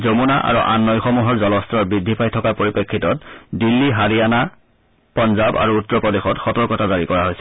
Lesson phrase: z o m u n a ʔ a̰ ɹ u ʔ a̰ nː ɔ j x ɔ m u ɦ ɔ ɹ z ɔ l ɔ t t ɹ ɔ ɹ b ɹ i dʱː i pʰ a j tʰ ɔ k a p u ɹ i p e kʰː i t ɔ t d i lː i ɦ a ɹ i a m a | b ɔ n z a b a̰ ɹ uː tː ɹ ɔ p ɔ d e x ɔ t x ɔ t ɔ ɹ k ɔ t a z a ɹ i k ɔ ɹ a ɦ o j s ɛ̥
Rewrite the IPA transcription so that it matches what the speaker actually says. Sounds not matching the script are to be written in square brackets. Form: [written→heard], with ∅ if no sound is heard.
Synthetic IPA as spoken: z o m u n a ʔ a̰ ɹ u ʔ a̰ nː ɔ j x ɔ m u ɦ ɔ ɹ z ɔ l ɔ [t→s] t ɹ ɔ ɹ b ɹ i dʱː i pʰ a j tʰ ɔ k a p [u→o] ɹ i p e kʰː i t ɔ t d i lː i ɦ a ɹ i a [m→n] a | [b→p] ɔ n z a b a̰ ɹ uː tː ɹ ɔ p ɔ d e x ɔ t x ɔ t ɔ ɹ k ɔ t a z a ɹ i k ɔ ɹ a ɦ o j s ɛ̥